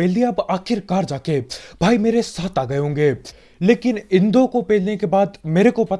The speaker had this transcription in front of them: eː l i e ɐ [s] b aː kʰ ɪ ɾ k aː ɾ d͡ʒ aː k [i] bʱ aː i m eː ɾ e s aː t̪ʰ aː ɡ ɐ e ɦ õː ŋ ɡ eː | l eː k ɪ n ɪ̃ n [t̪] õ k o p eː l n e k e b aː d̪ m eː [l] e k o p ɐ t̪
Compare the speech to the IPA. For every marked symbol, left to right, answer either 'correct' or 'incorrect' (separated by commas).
incorrect, incorrect, incorrect, incorrect